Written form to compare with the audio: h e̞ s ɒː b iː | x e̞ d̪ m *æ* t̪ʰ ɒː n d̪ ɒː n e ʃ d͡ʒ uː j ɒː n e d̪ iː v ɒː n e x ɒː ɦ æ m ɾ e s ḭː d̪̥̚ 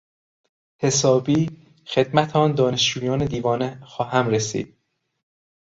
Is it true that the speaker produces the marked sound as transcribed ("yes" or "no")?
yes